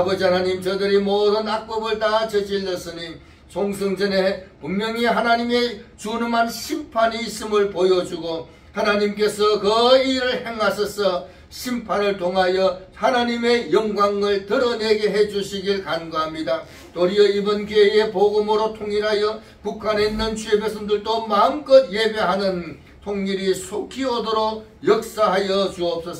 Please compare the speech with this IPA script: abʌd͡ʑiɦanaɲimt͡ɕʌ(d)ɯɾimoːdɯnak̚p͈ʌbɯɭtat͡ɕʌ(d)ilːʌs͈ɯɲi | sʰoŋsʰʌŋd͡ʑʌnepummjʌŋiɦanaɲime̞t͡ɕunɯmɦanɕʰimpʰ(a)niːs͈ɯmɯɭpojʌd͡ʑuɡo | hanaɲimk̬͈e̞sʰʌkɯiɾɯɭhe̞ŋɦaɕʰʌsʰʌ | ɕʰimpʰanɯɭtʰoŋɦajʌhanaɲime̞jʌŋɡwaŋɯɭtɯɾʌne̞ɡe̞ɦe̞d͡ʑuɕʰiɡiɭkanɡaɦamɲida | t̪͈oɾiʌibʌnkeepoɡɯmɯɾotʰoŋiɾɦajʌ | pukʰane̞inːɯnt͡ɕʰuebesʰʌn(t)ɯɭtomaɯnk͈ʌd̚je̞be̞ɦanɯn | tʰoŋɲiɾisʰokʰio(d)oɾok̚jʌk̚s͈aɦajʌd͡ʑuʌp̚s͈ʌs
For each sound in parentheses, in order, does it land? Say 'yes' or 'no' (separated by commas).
yes, no, yes, no, yes